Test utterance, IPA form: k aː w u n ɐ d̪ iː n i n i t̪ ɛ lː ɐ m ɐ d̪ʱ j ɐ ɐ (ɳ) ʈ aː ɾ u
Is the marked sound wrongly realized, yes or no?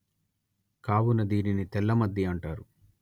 no